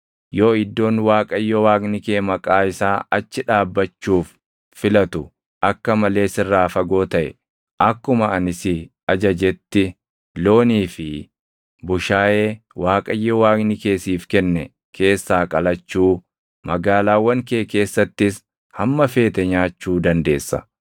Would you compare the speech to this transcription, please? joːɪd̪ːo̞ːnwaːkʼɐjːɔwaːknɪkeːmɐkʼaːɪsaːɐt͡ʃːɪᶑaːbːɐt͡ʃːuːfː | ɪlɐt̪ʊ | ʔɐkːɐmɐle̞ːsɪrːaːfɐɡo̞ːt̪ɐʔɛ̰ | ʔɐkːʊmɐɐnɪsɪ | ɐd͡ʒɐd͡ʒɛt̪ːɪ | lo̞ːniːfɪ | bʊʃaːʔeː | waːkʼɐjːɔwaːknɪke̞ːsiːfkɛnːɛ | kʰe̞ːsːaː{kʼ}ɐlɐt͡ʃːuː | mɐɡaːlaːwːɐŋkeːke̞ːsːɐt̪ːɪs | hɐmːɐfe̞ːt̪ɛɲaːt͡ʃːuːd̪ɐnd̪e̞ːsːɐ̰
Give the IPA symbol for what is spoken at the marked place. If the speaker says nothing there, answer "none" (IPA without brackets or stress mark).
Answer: kʼ